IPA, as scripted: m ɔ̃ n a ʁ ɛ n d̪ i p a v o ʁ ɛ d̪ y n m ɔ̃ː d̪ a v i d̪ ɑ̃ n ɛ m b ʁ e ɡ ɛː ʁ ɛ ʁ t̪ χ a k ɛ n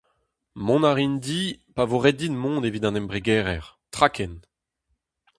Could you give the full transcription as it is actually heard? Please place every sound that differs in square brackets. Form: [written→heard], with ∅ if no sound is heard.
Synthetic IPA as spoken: m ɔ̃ n a ʁ [ɛ→i] n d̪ i p a v o ʁ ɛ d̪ [y→i] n m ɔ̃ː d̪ [a→e] v i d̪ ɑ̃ n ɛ m b ʁ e ɡ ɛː ʁ ɛ ʁ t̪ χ a k ɛ n